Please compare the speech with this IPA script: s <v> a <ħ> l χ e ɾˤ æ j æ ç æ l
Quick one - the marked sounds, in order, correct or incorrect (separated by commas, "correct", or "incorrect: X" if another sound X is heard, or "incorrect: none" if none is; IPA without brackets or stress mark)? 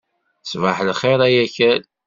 correct, correct